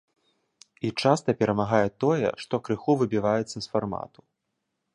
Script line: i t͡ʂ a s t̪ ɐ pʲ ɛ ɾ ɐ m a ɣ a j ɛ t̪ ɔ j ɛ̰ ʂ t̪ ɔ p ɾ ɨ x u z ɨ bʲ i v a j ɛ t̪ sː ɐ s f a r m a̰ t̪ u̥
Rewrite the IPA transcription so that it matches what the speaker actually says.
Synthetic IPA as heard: i t͡ʂ a s t̪ ɐ pʲ ɛ ɾ ɐ m a ɣ a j ɛ t̪ ɔ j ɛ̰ ʂ t̪ ɔ k ɾ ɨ x u v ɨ bʲ i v a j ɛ t̪ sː ɐ s f a r m a̰ t̪ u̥